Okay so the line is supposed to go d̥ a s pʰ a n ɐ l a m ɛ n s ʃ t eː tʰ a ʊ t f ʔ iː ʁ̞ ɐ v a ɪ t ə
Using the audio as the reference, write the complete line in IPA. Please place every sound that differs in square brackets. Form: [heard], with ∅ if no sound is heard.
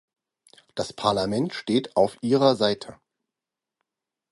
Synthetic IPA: d̥ a s pʰ a [∅] ɐ l a m ɛ n [t] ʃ t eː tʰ a ʊ [∅] f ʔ iː ʁ̞ ɐ [z] a ɪ [tʰ] ə